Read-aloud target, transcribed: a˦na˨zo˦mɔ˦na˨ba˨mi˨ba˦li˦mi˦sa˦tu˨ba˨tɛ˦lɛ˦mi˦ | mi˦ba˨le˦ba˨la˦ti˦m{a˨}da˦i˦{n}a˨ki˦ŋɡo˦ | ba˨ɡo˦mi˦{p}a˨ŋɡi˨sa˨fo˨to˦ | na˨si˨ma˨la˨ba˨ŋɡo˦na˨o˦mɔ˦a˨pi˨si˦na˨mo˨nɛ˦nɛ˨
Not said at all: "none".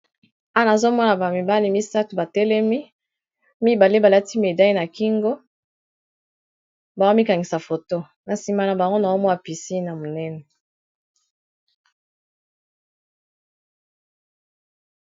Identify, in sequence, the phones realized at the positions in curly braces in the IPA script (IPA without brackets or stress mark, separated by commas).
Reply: e˨, n, k